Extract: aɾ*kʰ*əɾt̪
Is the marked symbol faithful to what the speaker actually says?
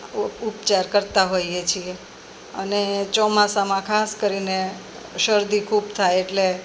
no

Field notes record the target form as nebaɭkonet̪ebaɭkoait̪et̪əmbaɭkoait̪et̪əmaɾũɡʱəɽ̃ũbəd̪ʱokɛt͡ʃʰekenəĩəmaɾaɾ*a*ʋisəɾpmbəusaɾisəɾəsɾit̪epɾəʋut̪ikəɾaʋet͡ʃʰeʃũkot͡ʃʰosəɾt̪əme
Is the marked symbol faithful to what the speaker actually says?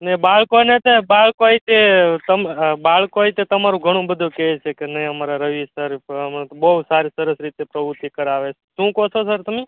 no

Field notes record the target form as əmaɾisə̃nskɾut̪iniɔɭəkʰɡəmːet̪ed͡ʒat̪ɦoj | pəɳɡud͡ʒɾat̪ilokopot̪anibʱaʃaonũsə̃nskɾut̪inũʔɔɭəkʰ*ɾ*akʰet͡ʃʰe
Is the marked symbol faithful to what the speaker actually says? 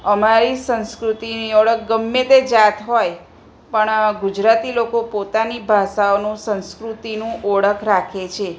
yes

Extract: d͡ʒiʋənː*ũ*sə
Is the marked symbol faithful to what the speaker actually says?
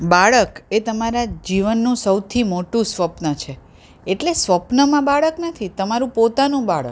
yes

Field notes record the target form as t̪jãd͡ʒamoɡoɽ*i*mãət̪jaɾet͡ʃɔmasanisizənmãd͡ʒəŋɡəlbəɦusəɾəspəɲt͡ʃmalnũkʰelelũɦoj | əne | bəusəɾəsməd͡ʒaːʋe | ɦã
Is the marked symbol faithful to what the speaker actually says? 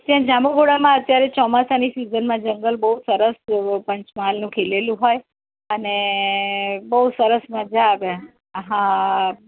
no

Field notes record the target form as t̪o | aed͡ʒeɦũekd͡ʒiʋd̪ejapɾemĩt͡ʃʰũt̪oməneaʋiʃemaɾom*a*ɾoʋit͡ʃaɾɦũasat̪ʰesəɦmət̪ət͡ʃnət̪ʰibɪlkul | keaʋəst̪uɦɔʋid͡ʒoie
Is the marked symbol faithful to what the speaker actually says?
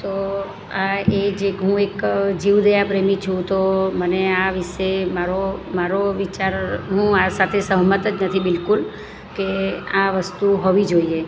yes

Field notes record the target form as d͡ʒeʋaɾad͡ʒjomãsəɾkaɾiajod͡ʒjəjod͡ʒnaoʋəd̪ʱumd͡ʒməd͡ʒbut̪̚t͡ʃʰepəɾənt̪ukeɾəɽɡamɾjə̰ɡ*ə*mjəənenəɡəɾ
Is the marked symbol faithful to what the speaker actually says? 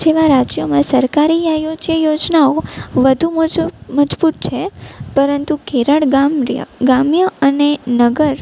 no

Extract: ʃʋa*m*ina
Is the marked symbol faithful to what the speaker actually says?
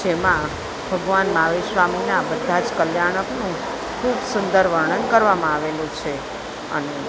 yes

